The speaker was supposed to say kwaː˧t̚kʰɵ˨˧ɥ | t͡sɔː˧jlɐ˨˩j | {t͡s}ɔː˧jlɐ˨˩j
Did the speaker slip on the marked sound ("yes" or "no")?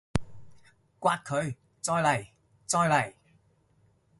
no